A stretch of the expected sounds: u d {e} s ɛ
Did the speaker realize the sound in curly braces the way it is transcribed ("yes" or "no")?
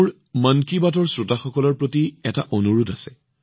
no